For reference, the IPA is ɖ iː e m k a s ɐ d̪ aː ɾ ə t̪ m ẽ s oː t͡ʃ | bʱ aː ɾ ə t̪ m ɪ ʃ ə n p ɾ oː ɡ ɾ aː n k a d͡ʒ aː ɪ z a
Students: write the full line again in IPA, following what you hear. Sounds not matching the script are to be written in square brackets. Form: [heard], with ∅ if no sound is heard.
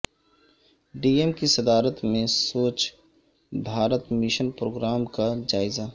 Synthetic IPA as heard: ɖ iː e m k [i] s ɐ d̪ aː ɾ ə t̪ m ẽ s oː t͡ʃ | bʱ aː ɾ ə t̪ m ɪ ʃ ə n p ɾ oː ɡ ɾ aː [m] k a d͡ʒ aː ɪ z a